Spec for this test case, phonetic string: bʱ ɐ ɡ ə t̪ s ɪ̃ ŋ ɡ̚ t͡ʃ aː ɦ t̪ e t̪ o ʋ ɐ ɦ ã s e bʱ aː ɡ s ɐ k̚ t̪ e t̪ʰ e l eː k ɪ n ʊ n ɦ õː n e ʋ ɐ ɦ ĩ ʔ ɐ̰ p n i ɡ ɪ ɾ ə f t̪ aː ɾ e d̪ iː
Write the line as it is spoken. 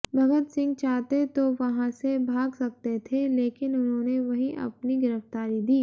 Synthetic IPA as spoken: bʱ ɐ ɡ ə t̪ s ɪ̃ ŋ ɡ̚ t͡ʃ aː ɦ t̪ e t̪ o ʋ ɐ ɦ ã s e bʱ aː ɡ s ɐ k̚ t̪ e t̪ʰ e l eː k ɪ n ʊ n ɦ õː n e ʋ ɐ ɦ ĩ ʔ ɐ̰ p n i ɡ ɪ ɾ ə f t̪ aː ɾ i d̪ iː

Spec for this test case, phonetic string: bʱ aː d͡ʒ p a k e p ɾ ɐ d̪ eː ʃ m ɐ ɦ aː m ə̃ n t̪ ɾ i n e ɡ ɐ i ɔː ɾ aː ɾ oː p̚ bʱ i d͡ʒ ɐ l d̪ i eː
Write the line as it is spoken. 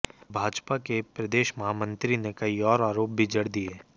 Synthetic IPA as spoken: bʱ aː d͡ʒ p a k e p ɾ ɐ d̪ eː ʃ m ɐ ɦ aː m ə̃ n t̪ ɾ i n e k ɐ i ɔː ɾ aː ɾ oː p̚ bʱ i d͡ʒ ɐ ɽ d̪ i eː

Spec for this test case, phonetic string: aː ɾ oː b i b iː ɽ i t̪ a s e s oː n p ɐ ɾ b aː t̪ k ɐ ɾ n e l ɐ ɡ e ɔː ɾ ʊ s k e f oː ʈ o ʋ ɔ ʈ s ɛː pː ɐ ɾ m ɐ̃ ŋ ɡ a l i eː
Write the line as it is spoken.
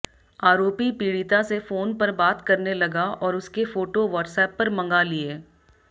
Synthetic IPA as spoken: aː ɾ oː p i p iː ɽ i t̪ a s e f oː n p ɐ ɾ b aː t̪ k ɐ ɾ n e l ɐ ɡ a ɔː ɾ ʊ s k e f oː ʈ o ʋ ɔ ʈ s ɛː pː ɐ ɾ m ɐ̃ ŋ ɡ a l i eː

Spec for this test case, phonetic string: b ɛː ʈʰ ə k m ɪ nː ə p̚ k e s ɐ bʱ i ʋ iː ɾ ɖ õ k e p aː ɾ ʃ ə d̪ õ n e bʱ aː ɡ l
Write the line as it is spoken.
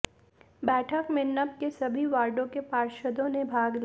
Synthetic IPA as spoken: b ɛː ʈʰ ə k m ɪ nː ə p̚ k e s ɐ bʱ i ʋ aː ɾ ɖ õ k e p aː ɾ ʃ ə d̪ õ n e bʱ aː ɡ l

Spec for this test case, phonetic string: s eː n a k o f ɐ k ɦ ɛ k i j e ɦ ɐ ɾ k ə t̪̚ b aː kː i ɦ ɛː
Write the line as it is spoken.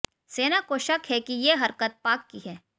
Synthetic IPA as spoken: s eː n a k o ʃ ɐ k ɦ ɛ k i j e ɦ ɐ ɾ k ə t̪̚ p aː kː i ɦ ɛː

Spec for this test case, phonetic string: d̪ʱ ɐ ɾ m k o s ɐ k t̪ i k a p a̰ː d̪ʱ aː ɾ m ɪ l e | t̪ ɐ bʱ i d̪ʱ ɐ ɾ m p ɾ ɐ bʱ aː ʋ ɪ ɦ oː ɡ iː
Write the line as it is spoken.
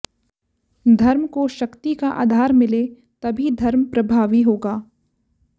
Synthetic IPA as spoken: d̪ʱ ɐ ɾ m k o ʃ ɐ k t̪ i k a ʔ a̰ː d̪ʱ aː ɾ m ɪ l e | t̪ ɐ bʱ i d̪ʱ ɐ ɾ m p ɾ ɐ bʱ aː ʋ i ɦ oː ɡ aː

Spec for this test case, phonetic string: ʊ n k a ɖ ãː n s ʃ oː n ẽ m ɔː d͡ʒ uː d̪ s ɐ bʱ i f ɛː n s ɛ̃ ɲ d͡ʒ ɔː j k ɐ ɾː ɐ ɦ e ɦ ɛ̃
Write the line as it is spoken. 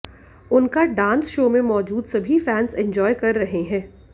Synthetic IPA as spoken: ʊ n k a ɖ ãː n s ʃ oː m ẽ m ɔː d͡ʒ uː d̪ s ɐ bʱ i f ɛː n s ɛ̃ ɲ d͡ʒ ɔː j k ɐ ɾː ɐ ɦ e ɦ ɛ̃ː

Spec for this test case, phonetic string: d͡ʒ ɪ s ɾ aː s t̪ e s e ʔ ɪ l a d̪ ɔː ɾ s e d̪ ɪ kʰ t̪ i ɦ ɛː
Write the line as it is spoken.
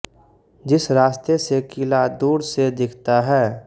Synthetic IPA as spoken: d͡ʒ ɪ s ɾ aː s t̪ e s e k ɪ l a d̪ uː ɾ s e d̪ ɪ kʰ t̪ a ɦ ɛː

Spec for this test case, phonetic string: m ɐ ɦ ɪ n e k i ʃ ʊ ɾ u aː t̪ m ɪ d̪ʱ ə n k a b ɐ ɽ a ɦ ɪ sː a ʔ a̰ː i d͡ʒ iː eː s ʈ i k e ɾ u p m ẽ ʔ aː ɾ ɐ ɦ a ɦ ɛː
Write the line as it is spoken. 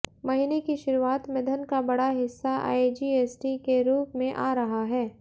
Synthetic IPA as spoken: m ɐ ɦ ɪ n e k i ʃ ʊ ɾ u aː t̪ m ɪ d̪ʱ ə n k a b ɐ ɽ a ɦ ɪ sː a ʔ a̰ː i d͡ʒ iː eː s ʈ i k e ɾ uː p m ẽ ʔ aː ɾ ɐ ɦ a ɦ ɛː

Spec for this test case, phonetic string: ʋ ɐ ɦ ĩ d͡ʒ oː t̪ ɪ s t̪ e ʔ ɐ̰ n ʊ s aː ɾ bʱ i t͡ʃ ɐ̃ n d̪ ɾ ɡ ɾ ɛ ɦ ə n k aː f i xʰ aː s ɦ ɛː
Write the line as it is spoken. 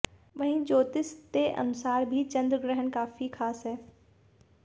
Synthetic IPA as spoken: ʋ ɐ ɦ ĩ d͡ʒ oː t̪ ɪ s t̪ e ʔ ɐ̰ n ʊ s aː ɾ bʱ i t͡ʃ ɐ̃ n d̪ ɾ ɡ ɾ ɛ ɦ ə n k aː f i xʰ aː s ɦ ɛː

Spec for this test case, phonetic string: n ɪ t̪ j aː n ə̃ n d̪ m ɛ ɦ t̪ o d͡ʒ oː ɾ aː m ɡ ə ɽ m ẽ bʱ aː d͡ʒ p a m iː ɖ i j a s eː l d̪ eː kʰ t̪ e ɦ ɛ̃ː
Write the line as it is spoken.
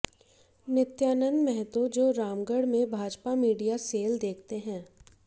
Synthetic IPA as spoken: n ɪ t̪ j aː n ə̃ n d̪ m ɛ ɦ t̪ o d͡ʒ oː ɾ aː m ɡ ə ɽ m ẽ bʱ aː d͡ʒ p a m iː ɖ i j a s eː l d̪ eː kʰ t̪ e ɦ ɛ̃ː

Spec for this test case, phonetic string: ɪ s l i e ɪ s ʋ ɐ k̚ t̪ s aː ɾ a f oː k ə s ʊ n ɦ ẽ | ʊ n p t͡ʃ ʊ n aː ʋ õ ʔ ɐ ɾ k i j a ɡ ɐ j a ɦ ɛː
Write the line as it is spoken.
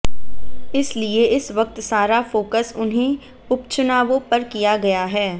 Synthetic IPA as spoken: ɪ s l i e ɪ s ʋ ɐ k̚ t̪ s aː ɾ a f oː k ə s ʊ n ɦ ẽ | ʊ p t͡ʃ ʊ n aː ʋ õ p ɐ ɾ k i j a ɡ ɐ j a ɦ ɛː

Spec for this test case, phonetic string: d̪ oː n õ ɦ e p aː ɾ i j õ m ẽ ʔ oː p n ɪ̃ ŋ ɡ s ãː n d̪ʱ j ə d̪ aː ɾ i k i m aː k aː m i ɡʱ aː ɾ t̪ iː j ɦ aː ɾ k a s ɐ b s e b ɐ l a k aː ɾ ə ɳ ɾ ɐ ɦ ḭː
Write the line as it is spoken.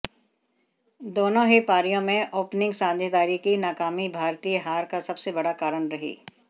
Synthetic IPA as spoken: d̪ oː n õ ɦ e p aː ɾ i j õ m ẽ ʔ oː p n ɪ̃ ŋ ɡ s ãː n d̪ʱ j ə d̪ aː ɾ i k i n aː k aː m i bʱ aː ɾ t̪ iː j ɦ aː ɾ k a s ɐ b s e b ɐ ɽ a k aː ɾ ə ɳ ɾ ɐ ɦ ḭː

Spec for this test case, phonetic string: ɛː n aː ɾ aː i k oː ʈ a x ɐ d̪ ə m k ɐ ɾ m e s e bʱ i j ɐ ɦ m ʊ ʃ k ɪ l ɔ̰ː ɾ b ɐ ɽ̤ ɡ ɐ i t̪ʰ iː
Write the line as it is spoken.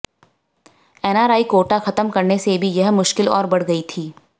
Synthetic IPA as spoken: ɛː n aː ɾ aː i k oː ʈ a x ɐ t̪ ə m k ɐ ɾ n e s e bʱ i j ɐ ɦ m ʊ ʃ k ɪ l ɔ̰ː ɾ b ɐ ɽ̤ ɡ ɐ i t̪ʰ iː

